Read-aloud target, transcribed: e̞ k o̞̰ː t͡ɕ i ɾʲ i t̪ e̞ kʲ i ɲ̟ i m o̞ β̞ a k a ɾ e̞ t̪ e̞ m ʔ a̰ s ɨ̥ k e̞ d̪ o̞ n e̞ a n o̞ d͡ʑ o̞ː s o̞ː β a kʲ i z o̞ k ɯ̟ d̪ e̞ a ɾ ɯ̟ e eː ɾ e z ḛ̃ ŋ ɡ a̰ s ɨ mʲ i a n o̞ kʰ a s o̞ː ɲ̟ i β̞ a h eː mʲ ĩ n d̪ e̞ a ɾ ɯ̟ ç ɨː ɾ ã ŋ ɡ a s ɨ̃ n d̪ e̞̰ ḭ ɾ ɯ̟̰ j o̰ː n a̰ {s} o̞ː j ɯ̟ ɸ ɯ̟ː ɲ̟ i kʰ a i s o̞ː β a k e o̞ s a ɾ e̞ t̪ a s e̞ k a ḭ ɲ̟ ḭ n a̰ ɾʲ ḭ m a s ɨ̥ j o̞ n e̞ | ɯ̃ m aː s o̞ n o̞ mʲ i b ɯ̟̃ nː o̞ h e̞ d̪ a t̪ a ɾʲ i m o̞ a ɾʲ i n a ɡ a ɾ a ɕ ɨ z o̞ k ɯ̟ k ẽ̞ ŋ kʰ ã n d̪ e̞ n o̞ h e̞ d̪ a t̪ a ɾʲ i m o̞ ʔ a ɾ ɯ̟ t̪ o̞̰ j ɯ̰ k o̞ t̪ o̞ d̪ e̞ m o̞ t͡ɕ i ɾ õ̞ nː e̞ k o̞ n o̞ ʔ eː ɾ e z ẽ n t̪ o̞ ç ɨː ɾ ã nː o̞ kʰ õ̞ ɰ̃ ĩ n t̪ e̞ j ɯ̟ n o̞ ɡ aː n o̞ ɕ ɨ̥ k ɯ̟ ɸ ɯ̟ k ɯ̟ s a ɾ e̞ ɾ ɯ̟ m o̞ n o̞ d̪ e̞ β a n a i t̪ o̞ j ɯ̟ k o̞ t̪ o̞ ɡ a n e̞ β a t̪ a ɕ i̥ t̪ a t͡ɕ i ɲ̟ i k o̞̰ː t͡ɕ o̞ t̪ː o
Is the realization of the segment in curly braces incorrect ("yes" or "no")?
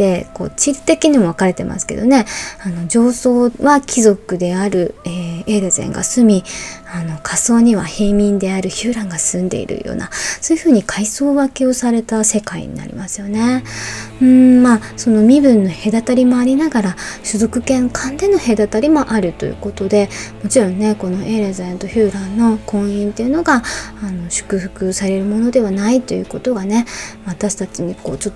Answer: no